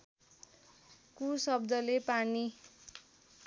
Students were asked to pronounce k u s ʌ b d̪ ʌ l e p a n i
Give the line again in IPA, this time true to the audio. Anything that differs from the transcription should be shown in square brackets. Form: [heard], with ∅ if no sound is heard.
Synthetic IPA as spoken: k u s ʌ b d̪ ʌ l e p a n i